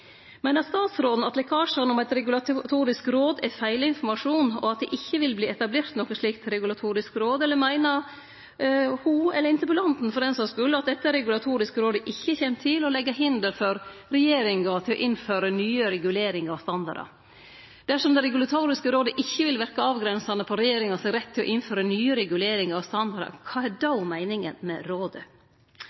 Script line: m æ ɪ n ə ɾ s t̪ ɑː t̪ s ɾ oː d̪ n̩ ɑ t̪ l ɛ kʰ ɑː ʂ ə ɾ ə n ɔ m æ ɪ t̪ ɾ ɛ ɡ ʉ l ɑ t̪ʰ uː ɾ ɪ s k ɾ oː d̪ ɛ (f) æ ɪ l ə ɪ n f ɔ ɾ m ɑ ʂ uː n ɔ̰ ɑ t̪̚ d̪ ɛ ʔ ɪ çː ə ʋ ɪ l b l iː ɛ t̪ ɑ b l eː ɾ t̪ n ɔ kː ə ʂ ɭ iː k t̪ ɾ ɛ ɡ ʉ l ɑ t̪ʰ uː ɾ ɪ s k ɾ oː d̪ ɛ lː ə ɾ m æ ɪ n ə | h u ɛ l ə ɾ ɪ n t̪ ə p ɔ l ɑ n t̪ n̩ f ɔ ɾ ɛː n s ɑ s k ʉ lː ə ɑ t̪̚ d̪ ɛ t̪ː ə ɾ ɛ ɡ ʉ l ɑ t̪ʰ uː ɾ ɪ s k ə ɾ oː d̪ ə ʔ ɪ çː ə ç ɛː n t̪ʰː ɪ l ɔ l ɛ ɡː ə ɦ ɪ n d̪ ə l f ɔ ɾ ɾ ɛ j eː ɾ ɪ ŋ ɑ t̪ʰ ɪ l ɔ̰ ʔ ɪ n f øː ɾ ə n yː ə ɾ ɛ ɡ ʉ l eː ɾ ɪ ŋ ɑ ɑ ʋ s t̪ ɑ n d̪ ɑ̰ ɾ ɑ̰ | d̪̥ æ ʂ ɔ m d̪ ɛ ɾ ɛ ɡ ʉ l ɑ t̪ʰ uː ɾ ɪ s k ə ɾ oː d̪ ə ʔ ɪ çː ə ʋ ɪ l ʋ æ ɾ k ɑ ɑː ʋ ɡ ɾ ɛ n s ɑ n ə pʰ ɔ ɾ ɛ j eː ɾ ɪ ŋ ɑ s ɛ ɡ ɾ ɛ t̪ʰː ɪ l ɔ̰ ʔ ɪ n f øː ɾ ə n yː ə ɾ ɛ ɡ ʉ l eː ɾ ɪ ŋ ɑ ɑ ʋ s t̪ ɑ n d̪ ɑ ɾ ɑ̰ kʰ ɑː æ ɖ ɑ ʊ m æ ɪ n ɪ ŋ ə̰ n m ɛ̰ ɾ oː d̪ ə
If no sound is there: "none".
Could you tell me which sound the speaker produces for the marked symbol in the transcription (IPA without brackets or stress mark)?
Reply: f